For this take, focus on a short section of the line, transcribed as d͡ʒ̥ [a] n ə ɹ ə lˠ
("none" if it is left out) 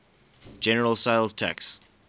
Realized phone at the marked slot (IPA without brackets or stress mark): ɛ